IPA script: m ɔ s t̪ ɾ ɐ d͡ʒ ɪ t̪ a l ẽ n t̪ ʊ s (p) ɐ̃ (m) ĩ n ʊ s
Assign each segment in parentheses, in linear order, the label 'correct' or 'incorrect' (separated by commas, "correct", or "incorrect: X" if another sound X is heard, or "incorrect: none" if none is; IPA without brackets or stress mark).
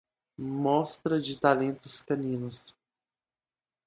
incorrect: k, incorrect: n